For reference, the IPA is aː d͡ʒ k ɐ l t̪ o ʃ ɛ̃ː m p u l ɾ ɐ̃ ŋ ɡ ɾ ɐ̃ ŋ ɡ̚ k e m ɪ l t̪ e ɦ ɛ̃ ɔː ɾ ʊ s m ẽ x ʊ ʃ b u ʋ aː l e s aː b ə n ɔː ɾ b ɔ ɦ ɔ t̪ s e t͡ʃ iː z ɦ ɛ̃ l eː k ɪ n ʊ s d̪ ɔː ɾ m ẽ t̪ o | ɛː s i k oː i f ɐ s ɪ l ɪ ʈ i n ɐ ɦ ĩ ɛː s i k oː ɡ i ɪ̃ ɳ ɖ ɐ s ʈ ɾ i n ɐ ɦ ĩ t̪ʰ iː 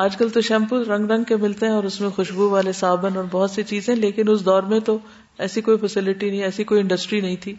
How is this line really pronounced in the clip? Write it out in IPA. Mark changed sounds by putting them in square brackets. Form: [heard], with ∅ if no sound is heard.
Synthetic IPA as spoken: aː d͡ʒ k ɐ l t̪ o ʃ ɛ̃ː m p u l ɾ ɐ̃ ŋ ɡ ɾ ɐ̃ ŋ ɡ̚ k e m ɪ l t̪ e ɦ ɛ̃ ɔː ɾ ʊ s m ẽ x ʊ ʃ b u ʋ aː l e s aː b ə n ɔː ɾ b ɔ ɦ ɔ t̪ s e t͡ʃ iː z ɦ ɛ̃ l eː k ɪ n ʊ s d̪ ɔː ɾ m ẽ t̪ o | ɛː s i k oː i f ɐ s ɪ l ɪ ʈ i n ɐ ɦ ĩ ɛː s i k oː [∅] i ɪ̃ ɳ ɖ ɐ s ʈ ɾ i n ɐ ɦ ĩ t̪ʰ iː